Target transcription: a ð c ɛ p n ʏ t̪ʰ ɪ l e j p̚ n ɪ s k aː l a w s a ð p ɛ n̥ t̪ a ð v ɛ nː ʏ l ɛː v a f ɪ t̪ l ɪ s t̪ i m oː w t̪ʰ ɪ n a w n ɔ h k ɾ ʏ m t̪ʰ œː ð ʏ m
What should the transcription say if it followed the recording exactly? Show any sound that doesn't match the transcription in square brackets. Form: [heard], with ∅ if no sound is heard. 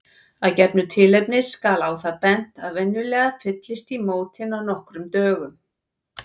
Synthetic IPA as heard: a ð c ɛ p n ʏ t̪ʰ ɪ l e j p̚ n ɪ s k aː l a w [θ] a ð p ɛ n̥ t̪ a ð v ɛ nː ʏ l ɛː [ɣ] a f ɪ t̪ l ɪ s t̪ i m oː w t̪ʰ ɪ n a w n ɔ h k ɾ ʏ m [t̪] œː [ɣ] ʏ m